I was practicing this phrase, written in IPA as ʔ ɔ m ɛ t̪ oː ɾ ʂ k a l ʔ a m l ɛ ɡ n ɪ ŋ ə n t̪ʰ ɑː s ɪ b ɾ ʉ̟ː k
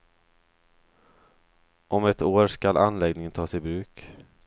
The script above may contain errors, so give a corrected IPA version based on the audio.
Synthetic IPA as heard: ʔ ɔ m ɛ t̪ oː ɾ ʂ k a l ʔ a n l ɛ ɡ n ɪ ŋ ə n t̪ʰ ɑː s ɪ b ɾ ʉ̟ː k